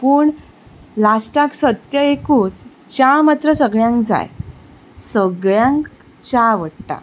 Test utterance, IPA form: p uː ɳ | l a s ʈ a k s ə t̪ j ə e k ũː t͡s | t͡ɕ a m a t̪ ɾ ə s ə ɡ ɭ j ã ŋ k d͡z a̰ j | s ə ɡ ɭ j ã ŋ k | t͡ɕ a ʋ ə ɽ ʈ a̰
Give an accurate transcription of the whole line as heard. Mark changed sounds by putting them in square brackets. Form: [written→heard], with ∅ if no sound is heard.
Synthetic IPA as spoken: p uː ɳ | l a s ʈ a k s ə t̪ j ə e k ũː t͡s | t͡ɕ a m a t̪ ɾ ə s ə ɡ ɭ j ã ŋ k d͡z a̰ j | s ə ɡ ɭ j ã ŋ k | t͡ɕ a ʋ ə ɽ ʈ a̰